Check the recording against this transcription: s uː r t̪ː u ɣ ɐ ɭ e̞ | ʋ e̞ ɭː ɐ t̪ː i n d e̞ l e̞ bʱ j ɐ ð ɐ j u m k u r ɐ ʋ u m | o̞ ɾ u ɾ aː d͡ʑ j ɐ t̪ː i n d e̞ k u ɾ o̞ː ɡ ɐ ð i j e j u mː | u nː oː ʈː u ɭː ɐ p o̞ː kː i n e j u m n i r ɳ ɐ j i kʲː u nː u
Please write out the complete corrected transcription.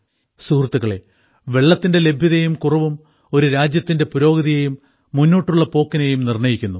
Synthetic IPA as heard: s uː r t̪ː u ɣ ɐ ɭ e̞ | ʋ e̞ ɭː ɐ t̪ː i n d e̞ l e̞ bʱ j ɐ ð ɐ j u m k u r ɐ ʋ u m | o̞ ɾ u ɾ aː d͡ʑ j ɐ t̪ː i n d e̞ p u ɾ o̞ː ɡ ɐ ð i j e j u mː | u nː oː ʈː u ɭː ɐ p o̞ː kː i n e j u m n i r ɳ ɐ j i kʲː u nː u